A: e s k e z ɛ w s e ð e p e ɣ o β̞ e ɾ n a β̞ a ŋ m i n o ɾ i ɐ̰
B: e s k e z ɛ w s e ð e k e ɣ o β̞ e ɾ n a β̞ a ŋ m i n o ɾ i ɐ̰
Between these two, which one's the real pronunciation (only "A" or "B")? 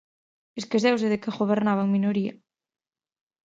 B